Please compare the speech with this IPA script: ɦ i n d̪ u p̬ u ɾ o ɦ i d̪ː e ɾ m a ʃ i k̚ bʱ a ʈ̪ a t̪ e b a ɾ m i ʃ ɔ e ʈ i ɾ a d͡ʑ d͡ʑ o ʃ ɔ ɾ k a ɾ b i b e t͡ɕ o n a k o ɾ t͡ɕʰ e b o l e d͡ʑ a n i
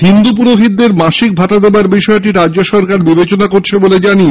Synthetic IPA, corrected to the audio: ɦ i n d̪ u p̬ u ɾ o ɦ i d̪ː e ɾ m a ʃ i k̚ bʱ a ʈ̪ a d̪ e b a ɾ b i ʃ ɔ e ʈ i ɾ a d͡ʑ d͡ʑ o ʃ ɔ ɾ k a ɾ b i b e t͡ɕ o n a k o ɾ t͡ɕʰ e b o l e d͡ʑ a n i